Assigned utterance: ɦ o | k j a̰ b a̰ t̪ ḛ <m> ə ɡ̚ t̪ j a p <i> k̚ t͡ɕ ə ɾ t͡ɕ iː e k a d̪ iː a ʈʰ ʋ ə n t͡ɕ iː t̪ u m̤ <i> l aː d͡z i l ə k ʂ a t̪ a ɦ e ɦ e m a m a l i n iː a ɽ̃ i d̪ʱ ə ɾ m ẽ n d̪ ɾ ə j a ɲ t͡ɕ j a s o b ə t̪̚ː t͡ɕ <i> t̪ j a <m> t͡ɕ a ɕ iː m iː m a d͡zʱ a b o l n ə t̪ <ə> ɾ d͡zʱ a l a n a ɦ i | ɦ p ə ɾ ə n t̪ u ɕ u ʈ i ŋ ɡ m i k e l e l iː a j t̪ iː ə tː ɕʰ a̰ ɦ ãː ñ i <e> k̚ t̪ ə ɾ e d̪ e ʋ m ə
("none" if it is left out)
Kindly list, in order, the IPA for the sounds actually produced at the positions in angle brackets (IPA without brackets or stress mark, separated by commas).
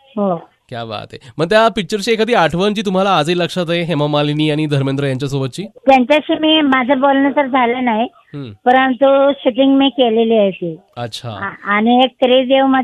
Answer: m, i, a, iː, ɲ, ə, e